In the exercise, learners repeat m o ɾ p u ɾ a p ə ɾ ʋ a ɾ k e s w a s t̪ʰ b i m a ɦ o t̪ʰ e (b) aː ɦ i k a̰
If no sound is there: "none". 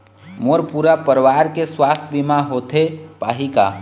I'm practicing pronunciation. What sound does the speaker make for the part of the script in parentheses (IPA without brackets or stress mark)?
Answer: p